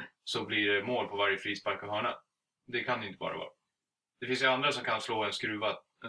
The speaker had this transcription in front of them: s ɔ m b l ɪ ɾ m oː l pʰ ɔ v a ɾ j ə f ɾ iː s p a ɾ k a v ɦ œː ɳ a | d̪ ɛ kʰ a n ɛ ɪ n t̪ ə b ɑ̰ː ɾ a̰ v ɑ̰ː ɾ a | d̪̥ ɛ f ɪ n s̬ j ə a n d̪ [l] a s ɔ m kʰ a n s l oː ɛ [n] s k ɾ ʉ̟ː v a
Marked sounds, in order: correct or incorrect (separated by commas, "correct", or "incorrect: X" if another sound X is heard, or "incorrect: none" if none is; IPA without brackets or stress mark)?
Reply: incorrect: ɾ, correct